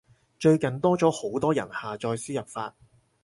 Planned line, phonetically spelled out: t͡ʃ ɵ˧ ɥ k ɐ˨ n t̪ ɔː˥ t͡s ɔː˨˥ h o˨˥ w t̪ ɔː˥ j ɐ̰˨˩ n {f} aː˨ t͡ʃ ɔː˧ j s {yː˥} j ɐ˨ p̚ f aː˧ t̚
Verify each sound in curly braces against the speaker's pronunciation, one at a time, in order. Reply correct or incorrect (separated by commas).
incorrect, incorrect